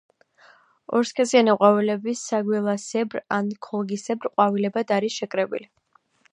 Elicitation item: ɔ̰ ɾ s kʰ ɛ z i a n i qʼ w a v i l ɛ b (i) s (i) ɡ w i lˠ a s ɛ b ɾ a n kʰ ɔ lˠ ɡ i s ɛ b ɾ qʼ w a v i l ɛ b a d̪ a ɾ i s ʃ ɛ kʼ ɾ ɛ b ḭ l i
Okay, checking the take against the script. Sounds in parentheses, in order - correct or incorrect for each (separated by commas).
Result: correct, incorrect